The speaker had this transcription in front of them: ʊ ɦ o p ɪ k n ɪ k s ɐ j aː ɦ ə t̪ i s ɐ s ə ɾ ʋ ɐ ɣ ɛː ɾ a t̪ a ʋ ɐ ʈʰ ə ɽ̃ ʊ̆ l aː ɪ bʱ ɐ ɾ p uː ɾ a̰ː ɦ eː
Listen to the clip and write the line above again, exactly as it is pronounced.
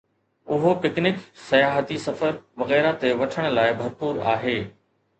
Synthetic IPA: ʊ ɦ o p ɪ k n ɪ k s ɐ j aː ɦ ə t̪ i s ɐ f ə ɾ ʋ ɐ ɣ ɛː ɾ a t̪ e ʋ ɐ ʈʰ ə ɽ̃ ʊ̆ l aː ɪ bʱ ɐ ɾ p uː ɾ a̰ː ɦ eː